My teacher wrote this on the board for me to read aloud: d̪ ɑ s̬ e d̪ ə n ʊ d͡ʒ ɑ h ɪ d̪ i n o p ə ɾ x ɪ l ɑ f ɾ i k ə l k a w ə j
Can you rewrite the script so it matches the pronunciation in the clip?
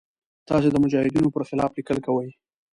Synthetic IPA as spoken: t̪ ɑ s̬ e d̪ ə m ʊ d͡ʒ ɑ h ɪ d̪ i n o p ə ɾ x ɪ l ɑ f l i k ə l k a w ə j